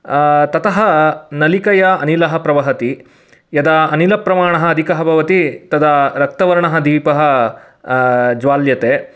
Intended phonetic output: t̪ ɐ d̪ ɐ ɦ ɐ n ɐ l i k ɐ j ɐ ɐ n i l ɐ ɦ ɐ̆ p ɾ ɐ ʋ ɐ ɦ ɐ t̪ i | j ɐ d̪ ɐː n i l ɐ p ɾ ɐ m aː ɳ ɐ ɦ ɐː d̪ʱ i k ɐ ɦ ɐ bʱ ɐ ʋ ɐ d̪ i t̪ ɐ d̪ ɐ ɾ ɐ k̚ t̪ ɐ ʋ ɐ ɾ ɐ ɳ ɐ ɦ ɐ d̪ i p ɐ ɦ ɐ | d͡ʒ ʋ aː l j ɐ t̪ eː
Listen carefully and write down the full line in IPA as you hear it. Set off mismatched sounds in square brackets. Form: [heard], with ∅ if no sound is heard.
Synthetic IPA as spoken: t̪ ɐ [t̪] ɐ ɦ ɐ n ɐ l i k ɐ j ɐ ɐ n i l ɐ ɦ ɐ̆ p ɾ ɐ ʋ ɐ ɦ ɐ t̪ i | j ɐ d̪ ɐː n i l ɐ p ɾ ɐ m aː ɳ ɐ ɦ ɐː d̪ʱ i k ɐ ɦ ɐ bʱ ɐ ʋ ɐ [t̪] i t̪ ɐ d̪ ɐ ɾ ɐ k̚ t̪ ɐ ʋ ɐ ɾ ɐ ɳ ɐ ɦ ɐ d̪ [iː] p ɐ ɦ ɐ | d͡ʒ ʋ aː l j ɐ t̪ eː